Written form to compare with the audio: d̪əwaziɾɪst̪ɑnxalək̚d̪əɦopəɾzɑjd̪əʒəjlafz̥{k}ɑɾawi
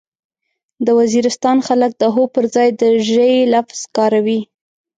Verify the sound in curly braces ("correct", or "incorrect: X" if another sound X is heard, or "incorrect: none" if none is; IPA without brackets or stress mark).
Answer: correct